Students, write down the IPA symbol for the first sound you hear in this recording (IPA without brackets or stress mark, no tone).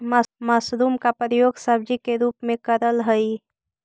m